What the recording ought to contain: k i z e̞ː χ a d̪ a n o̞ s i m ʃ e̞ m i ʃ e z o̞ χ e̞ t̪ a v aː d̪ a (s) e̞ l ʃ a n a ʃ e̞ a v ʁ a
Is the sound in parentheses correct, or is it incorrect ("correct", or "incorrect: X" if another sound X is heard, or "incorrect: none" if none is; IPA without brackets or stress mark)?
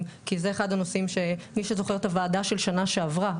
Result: incorrect: ʃ